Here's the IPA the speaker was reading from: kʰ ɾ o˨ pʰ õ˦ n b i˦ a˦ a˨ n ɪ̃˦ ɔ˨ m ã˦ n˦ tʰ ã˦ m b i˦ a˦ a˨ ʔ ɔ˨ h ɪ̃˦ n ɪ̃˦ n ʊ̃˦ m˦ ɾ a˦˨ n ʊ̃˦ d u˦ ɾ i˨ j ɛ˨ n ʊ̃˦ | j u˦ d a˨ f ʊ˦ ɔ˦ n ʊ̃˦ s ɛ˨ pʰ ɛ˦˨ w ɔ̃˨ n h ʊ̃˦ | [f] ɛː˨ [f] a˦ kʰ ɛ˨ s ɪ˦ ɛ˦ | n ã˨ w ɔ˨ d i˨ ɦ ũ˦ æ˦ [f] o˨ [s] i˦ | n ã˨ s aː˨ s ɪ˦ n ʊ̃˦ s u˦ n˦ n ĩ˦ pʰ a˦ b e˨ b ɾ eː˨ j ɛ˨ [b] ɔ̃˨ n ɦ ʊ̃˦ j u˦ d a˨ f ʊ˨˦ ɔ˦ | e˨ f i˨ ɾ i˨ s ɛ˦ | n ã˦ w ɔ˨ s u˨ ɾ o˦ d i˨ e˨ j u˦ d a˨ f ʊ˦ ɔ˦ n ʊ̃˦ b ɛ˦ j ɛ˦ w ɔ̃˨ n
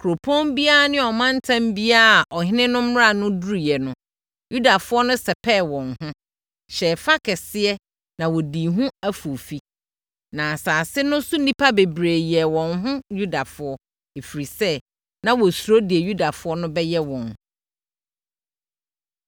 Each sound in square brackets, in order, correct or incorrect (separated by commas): incorrect, correct, correct, incorrect, incorrect